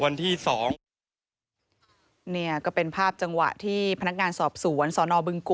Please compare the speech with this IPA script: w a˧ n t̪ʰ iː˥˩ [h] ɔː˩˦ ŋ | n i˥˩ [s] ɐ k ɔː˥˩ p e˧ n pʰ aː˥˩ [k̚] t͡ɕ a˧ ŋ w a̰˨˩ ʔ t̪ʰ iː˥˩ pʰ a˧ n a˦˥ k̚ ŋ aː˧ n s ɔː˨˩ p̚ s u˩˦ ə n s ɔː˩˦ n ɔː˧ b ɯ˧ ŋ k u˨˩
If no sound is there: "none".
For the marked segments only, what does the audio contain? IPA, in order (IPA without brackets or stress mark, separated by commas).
s, none, p̚